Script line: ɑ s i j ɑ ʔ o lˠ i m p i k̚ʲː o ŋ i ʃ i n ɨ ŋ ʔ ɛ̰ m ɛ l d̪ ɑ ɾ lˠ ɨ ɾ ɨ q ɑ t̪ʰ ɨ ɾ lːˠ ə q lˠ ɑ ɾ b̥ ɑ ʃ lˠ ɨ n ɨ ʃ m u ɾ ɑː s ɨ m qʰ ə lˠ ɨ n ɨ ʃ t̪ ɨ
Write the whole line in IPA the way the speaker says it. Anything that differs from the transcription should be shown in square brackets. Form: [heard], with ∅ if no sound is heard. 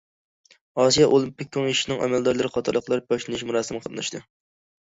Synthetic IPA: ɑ s i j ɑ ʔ o lˠ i m p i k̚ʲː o ŋ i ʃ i n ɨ ŋ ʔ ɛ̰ m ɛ l d̪ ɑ ɾ lˠ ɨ ɾ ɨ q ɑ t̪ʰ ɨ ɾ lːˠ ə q lˠ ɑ ɾ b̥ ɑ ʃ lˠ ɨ n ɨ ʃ m u ɾ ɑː s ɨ m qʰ ə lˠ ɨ n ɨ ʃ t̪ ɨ